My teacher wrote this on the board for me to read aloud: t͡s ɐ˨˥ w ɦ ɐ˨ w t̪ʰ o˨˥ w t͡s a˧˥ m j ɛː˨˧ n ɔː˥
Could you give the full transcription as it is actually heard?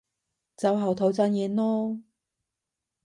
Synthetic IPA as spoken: t͡s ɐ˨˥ w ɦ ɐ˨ w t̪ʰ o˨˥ w t͡s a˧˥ n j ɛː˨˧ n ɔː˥